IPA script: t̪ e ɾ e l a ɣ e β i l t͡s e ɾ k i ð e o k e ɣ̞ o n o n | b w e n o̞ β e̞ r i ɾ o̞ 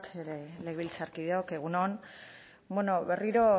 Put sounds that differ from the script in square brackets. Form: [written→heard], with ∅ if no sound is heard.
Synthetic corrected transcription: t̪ e ɾ e l [a→e] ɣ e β i l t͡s [e→a] ɾ k i ð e o k e ɣ̞ [o→u] n o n | b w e n o̞ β e̞ r i ɾ o̞